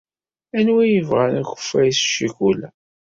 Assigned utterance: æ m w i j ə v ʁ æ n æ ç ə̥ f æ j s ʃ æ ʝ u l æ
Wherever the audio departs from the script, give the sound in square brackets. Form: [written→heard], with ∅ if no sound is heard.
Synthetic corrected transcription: æ [m→n] w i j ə v ʁ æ n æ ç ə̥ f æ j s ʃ [æ→i] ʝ u l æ